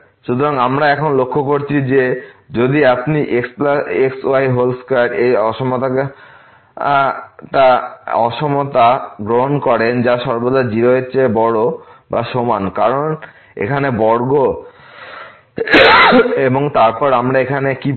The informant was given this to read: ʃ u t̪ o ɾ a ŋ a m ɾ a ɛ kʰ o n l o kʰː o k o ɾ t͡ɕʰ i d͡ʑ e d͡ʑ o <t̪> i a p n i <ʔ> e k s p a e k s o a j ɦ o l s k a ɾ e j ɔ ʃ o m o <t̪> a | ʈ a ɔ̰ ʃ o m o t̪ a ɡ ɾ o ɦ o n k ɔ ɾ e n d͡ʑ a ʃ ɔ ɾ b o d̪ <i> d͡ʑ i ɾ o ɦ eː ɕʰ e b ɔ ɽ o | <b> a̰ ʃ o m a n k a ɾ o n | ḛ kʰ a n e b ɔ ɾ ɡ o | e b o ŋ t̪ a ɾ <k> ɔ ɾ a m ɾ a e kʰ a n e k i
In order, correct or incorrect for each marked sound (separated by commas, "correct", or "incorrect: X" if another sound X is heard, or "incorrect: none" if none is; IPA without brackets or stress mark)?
incorrect: d̪, correct, correct, incorrect: a, correct, incorrect: p